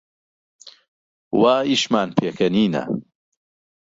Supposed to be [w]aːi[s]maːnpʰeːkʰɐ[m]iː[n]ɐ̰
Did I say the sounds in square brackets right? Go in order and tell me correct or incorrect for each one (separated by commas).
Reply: correct, incorrect, incorrect, correct